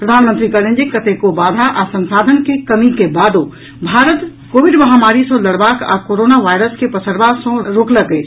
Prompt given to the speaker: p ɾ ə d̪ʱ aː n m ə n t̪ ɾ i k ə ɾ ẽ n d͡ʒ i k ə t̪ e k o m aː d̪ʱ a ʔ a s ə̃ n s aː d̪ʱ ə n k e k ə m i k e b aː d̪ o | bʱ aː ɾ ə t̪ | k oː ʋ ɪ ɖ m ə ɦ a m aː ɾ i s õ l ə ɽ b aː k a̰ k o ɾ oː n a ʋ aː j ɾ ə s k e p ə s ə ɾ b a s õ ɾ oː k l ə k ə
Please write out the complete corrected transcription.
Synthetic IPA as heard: p ɾ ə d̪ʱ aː n m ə n t̪ ɾ i k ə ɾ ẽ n d͡ʒ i k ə t̪ e k o b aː d̪ʱ a ʔ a s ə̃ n s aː d̪ʱ ə n k e k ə m i k e b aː d̪ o | bʱ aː ɾ ə t̪ | k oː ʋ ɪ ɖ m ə ɦ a m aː ɾ i s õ l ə ɽ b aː k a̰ k o ɾ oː n a ʋ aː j ɾ ə s k e p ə s ə ɾ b a s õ ɾ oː k l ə k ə